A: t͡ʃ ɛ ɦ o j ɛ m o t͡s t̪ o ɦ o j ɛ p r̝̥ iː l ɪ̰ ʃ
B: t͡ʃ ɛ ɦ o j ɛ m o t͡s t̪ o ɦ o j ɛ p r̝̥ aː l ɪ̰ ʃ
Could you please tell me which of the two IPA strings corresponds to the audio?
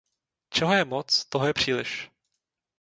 A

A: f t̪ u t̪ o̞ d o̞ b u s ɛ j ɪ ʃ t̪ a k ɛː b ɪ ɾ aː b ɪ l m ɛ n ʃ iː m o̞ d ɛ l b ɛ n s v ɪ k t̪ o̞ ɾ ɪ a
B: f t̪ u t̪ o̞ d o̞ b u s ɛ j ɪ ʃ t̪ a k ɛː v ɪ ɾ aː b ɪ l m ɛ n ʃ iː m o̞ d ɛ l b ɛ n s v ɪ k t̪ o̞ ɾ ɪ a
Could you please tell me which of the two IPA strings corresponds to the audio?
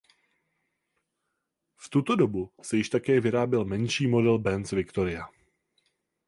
B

